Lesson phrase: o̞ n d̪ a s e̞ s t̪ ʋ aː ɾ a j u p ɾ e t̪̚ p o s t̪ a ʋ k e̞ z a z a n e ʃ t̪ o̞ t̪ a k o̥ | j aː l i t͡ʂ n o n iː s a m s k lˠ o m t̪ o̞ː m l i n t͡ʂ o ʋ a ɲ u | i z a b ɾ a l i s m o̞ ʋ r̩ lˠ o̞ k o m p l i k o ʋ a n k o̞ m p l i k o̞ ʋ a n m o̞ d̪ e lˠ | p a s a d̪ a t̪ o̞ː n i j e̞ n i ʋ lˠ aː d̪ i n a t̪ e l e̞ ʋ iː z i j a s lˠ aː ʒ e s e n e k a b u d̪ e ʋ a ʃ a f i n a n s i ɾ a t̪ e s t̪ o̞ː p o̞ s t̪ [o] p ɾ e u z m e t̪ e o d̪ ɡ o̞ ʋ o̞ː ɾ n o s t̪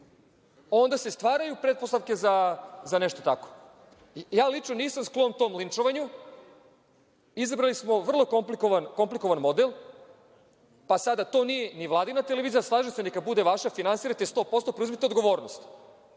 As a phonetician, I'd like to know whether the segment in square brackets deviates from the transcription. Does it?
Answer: no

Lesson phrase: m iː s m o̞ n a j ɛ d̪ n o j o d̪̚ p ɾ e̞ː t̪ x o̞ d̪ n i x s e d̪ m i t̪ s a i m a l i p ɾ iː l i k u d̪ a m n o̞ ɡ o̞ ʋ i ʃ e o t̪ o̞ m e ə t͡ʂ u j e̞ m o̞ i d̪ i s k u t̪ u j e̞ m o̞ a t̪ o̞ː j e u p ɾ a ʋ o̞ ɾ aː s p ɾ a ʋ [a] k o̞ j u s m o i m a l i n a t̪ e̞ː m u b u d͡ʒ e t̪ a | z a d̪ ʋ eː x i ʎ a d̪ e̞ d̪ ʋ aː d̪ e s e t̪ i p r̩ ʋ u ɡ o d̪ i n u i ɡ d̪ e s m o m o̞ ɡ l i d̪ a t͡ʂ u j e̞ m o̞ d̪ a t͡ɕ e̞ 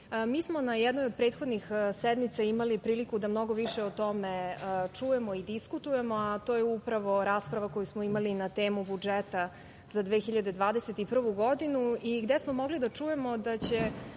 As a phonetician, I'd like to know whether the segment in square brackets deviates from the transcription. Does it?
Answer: no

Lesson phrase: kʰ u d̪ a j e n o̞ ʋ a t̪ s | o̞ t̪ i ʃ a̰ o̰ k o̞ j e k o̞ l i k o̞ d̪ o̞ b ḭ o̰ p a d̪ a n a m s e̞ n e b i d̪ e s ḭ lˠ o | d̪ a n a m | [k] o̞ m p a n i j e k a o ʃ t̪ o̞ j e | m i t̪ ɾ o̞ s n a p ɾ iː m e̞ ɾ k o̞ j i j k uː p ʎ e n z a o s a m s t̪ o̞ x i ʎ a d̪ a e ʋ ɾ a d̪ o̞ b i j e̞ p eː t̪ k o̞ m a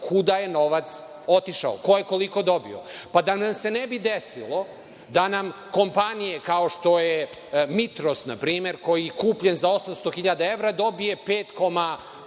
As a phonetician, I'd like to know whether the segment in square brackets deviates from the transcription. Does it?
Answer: no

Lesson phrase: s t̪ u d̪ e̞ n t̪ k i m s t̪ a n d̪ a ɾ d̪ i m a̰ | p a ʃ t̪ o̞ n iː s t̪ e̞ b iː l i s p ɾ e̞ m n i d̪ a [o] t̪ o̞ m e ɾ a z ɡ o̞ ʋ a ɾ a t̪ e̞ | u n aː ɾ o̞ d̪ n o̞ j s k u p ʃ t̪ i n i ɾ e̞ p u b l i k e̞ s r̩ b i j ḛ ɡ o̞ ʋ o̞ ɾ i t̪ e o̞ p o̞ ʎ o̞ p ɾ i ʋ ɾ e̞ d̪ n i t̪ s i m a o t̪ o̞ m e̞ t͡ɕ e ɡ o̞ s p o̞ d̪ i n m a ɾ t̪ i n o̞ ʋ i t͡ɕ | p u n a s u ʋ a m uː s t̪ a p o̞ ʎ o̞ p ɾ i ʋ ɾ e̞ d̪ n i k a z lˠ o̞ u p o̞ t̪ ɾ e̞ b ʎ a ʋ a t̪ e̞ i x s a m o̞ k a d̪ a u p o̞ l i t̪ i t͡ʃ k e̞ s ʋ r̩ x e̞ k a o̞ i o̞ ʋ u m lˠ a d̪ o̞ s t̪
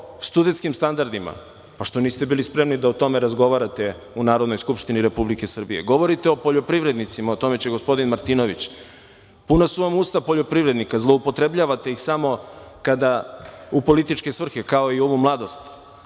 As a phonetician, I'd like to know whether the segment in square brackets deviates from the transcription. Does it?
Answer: no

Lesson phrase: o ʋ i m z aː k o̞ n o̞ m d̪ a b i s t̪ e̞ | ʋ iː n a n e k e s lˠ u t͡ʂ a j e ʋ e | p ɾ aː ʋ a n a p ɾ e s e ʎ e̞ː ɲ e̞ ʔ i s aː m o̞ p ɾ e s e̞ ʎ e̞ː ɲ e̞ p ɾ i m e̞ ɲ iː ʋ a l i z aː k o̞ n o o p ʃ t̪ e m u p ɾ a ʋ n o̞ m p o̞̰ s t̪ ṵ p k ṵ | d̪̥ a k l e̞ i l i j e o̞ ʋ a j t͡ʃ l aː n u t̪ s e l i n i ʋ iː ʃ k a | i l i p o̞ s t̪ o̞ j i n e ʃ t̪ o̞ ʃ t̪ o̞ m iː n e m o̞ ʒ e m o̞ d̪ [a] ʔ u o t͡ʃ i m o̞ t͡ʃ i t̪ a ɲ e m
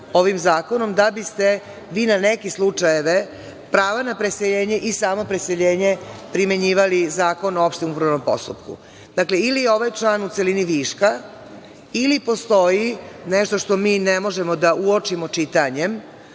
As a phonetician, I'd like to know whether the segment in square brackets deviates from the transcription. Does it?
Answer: no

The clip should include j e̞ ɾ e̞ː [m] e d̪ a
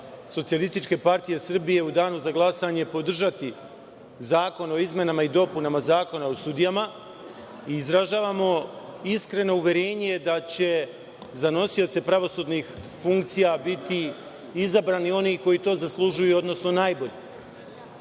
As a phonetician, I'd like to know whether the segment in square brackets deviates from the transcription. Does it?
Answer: yes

